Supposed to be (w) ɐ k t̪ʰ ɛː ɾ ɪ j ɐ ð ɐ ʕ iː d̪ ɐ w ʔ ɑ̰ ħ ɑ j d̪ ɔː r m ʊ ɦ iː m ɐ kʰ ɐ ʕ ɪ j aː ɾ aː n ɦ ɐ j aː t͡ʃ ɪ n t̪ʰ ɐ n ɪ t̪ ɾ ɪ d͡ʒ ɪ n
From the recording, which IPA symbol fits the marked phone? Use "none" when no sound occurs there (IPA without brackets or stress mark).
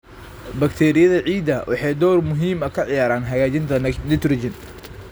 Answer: b